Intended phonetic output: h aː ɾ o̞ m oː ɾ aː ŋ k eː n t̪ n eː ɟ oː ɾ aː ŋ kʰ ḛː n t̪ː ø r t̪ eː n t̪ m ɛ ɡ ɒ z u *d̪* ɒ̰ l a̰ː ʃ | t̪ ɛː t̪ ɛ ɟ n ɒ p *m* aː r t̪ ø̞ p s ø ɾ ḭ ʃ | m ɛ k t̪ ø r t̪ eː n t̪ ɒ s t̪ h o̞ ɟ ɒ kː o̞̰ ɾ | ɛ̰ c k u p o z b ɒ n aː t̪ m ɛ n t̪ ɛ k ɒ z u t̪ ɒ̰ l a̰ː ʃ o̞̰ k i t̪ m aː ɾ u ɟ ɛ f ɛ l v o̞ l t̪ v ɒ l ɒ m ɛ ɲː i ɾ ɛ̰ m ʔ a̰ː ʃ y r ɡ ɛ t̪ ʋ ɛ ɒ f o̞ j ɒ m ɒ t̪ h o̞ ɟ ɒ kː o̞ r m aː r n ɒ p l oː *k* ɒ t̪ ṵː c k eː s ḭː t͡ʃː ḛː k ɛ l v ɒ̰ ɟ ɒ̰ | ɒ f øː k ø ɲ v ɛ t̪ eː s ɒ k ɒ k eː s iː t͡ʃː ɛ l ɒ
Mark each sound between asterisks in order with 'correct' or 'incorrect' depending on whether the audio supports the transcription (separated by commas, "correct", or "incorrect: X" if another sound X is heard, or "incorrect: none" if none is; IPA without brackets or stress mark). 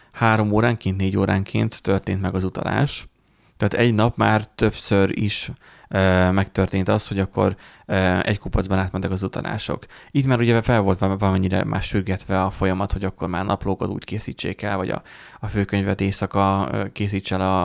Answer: incorrect: t̪, correct, correct